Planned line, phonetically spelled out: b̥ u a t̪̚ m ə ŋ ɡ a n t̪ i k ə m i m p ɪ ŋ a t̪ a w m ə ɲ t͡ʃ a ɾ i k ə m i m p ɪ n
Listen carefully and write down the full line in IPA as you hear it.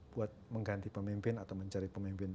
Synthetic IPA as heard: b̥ u a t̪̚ m ə ŋ ɡ a n t̪ i p ə m i m p ɪ n a t̪ a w m ə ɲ t͡ʃ a ɾ i p ə m i m p ɪ n